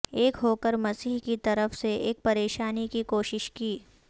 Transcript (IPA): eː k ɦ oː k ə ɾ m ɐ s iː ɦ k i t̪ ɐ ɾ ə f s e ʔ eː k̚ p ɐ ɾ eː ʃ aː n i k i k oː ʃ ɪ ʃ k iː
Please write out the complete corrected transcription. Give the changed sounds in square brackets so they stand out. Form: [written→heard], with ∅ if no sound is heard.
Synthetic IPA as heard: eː k ɦ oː k ə ɾ m ɐ s iː ɦ k i t̪ ɐ ɾ ə f s e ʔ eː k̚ p ɐ ɾ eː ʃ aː n i k i k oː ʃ ɪ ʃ k iː